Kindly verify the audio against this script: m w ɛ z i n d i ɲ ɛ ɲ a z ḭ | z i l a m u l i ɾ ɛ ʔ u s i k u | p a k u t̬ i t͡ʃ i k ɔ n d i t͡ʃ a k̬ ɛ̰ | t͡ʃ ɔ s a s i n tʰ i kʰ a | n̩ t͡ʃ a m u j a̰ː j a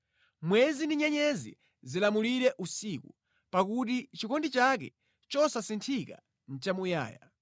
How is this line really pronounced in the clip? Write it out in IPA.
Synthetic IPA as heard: m w ɛ z i n d i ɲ ɛ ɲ ɛ z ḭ | z i l a m u l i ɾ ɛ ʔ u s i k u | p a k u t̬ i t͡ʃ i k ɔ n d i t͡ʃ a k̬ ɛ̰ | t͡ʃ ɔ s a s i n tʰ i k a | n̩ t͡ʃ a m u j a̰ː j a